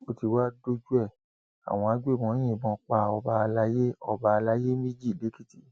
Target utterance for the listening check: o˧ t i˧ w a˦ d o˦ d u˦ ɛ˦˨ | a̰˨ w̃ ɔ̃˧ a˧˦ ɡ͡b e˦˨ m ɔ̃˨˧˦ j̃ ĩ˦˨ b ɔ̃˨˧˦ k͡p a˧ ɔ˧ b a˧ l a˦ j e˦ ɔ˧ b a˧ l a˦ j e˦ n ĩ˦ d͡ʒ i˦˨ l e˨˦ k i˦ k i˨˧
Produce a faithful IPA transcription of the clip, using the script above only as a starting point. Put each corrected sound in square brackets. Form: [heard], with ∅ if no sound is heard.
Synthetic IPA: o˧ t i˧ w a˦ d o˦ [d͡ʒ] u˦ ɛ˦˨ | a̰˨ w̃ ɔ̃˧ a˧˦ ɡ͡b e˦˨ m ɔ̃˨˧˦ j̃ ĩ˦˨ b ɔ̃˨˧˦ k͡p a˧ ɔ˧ b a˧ l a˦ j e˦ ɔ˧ b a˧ l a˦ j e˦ [m] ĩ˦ d͡ʒ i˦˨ l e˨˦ k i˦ [t] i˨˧